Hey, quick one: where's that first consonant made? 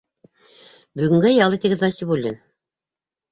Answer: lips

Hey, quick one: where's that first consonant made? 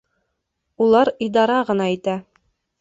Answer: tongue tip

